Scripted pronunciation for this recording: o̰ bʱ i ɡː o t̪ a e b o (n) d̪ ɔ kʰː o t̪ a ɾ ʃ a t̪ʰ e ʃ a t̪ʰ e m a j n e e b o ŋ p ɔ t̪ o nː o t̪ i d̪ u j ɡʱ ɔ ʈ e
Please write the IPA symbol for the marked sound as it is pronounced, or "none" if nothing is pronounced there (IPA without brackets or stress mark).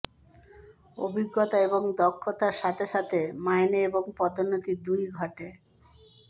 ŋ